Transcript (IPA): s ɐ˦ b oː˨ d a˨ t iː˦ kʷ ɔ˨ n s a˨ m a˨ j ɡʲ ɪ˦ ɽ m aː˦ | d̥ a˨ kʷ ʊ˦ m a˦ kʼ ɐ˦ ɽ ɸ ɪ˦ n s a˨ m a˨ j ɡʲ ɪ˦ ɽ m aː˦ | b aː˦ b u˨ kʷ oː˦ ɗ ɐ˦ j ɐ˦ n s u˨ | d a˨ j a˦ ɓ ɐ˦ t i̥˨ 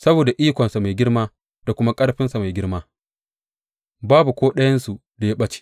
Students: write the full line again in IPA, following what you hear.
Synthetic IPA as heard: s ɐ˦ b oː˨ d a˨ ʔ iː˦ kʷ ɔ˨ n s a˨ m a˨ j ɡʲ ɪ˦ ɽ m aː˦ | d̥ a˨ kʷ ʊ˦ m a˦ kʼ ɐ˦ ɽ ɸ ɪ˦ n s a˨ m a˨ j ɡʲ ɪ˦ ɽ m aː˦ | b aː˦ b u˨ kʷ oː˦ ɗ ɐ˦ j ɐ˦ n s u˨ | d a˨ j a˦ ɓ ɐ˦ t͡ʃ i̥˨